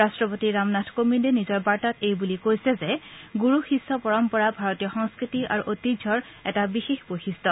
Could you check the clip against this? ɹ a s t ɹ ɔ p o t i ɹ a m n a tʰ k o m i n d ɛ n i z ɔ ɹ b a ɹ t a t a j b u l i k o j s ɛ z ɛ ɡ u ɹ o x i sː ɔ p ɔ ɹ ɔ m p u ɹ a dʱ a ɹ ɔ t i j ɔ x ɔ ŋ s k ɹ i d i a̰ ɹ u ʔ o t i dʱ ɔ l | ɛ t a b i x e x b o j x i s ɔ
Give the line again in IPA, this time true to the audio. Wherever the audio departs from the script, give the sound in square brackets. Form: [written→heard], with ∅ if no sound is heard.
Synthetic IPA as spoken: ɹ a s t ɹ ɔ p o t i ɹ a m n a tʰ k o m i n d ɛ n i z ɔ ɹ b a ɹ t a t [a→e] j b u l i k o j s ɛ z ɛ ɡ u ɹ [o→u] x i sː ɔ p ɔ ɹ ɔ m p [u→ɔ] ɹ a [dʱ→bʱ] a ɹ ɔ t i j ɔ x ɔ ŋ s k ɹ i [d→t] i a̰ ɹ u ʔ o t i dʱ ɔ [l→ɹ] | ɛ t a b i x e x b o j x i s ɔ